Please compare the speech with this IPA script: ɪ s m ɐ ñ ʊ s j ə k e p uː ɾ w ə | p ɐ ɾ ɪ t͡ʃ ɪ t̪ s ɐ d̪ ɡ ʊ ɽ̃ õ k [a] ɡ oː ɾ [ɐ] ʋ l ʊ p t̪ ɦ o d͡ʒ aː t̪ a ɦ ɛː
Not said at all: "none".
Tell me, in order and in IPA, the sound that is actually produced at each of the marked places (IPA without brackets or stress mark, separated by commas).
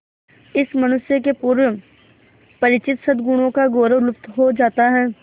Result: a, ə